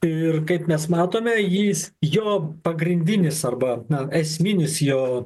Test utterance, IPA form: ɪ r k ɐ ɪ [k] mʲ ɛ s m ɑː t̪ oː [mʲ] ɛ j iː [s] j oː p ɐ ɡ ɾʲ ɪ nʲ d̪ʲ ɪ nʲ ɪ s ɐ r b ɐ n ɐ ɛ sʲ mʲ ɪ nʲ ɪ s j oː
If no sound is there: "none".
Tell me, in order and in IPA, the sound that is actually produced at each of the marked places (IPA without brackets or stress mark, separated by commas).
p, mʲ, s